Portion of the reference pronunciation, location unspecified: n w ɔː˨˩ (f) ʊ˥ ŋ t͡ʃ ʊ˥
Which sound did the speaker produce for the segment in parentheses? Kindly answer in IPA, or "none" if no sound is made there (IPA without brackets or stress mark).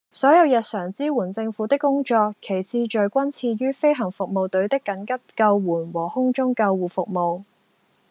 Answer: h